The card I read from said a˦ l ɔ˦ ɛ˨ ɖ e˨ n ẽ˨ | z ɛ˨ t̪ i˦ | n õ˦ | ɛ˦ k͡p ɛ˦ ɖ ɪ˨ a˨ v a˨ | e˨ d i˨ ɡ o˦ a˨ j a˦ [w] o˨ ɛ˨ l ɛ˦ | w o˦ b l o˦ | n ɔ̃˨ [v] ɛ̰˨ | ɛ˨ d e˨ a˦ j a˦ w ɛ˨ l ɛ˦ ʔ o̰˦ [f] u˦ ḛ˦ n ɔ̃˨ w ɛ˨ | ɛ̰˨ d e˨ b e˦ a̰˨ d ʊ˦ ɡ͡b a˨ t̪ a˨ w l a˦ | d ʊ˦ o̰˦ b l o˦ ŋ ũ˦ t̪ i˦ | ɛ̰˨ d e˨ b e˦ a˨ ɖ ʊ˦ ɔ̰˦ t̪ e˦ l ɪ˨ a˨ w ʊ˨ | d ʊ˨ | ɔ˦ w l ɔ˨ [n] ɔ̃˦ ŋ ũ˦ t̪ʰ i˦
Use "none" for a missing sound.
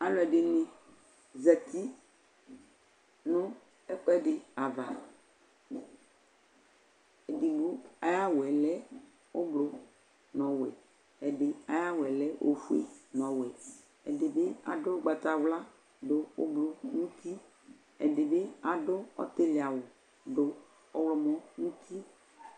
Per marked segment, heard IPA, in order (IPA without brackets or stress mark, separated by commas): w, w, f, m